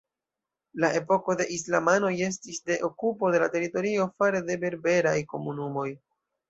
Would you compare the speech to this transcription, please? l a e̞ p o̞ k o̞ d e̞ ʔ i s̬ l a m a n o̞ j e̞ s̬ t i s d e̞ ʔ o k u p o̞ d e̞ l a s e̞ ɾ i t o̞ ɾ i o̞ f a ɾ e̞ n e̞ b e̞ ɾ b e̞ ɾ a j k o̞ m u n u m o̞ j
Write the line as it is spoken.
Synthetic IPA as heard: l a e̞ p o̞ k o̞ d e̞ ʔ i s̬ l a m a n o̞ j e̞ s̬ t i s d e̞ ʔ o k u p o̞ d e̞ l a t e̞ ɾ i t o̞ ɾ i o̞ f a ɾ e̞ d e̞ b e̞ ɾ b e̞ ɾ a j k o̞ m u n u m o̞ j